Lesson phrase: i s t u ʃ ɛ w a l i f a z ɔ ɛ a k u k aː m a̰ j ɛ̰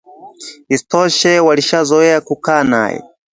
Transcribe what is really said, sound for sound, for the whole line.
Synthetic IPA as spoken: i s t ɔ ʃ ɛ w a l i ʃ a z ɔ ɛ a k u k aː n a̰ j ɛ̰

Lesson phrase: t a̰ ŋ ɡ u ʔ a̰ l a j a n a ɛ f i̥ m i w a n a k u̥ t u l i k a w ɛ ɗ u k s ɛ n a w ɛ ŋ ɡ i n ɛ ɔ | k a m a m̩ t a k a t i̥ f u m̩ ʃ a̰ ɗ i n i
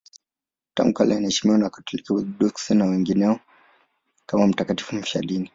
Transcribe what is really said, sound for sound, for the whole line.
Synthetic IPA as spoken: t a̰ ŋ ɡ u k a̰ l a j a n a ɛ ʃ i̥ m i w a n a k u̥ t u l i k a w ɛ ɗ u k s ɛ n a w ɛ ŋ ɡ i n ɛ ɔ | k a m a m̩ t a k a t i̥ f u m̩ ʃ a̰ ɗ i n i

